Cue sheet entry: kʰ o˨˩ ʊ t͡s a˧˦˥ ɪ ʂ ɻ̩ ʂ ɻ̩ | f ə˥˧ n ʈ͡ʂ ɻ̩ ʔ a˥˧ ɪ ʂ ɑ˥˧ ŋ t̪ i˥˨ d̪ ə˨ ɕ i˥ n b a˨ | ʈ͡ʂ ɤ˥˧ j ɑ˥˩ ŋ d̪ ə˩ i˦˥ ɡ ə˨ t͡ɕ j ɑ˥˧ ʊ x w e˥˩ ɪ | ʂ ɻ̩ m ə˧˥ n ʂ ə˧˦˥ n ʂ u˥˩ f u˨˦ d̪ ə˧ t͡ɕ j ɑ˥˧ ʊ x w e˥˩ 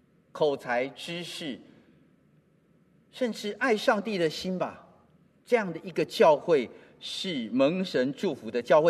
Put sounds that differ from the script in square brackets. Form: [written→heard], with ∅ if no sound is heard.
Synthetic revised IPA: kʰ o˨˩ ʊ [t͡s→t͡sʰ] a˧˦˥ ɪ [ʂ→ʈ͡ʂ] ɻ̩ ʂ ɻ̩ | [f→ʂ] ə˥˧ n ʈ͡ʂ ɻ̩ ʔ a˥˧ ɪ ʂ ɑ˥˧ ŋ t̪ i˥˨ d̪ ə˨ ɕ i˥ n b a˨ | ʈ͡ʂ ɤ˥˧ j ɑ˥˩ ŋ d̪ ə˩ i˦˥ ɡ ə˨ t͡ɕ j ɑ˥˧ ʊ x w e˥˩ ɪ | ʂ ɻ̩ m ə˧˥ [n→ŋ] ʂ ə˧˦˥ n [ʂ→ʈ͡ʂ] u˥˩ f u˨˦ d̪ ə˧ t͡ɕ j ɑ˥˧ ʊ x w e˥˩